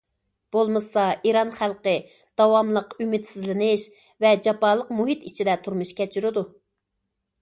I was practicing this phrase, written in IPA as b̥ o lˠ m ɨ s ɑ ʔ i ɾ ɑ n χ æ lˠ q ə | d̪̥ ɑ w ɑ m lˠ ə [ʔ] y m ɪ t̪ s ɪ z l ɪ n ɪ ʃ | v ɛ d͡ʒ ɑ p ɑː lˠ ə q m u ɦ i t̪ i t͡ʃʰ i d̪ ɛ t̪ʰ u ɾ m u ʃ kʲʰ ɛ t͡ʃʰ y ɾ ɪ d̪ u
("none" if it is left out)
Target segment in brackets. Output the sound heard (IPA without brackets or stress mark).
q